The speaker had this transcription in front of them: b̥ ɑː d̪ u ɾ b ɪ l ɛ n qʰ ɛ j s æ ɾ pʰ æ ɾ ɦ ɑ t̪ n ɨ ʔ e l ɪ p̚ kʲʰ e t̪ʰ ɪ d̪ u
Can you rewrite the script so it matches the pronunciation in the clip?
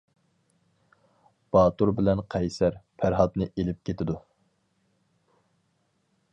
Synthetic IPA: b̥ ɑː t̪ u ɾ b ɪ l ɛ n qʰ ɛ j s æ ɾ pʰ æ ɾ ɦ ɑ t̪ n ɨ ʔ e l ɪ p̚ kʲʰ e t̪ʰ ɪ d̪ u